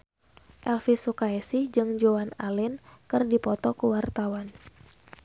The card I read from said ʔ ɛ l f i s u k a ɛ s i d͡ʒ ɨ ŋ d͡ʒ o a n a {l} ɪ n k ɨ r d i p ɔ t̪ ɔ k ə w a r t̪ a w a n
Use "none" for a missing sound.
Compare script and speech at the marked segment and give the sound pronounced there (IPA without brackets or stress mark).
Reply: l